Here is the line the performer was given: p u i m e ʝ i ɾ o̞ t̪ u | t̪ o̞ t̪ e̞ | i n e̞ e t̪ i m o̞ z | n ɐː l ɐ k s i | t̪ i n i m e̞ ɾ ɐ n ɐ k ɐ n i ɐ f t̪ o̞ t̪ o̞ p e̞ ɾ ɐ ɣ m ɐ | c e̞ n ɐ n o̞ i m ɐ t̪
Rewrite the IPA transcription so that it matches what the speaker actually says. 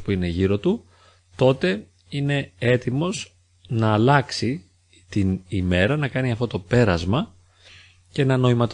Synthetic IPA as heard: p u i n e ʝ i ɾ o̞ t̪ u | t̪ o̞ t̪ e̞ | i n e̞ e t̪ i m o̞ z | n ɐː l ɐ k s i | t̪ i n i m e̞ ɾ ɐ n ɐ k ɐ n i ɐ f t̪ o̞ t̪ o̞ p e̞ ɾ ɐ z m ɐ | c e̞ n ɐ n o̞ i m ɐ t̪